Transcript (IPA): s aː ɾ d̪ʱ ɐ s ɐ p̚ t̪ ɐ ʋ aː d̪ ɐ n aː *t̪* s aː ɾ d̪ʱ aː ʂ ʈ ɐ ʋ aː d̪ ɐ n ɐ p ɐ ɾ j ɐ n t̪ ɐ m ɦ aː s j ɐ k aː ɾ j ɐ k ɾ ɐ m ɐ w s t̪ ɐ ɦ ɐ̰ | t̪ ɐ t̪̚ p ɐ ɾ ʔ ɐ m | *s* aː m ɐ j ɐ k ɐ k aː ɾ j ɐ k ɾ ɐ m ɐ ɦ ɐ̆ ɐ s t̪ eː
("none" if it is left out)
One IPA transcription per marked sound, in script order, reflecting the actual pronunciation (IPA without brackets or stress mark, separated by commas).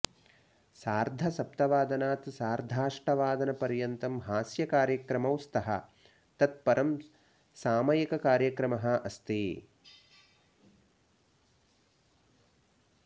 t̪, s